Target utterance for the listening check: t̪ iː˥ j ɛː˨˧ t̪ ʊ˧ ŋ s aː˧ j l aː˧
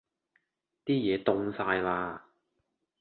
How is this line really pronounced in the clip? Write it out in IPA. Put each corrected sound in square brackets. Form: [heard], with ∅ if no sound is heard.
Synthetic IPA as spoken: t̪ iː˥ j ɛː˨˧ t̪ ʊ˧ ŋ s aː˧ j l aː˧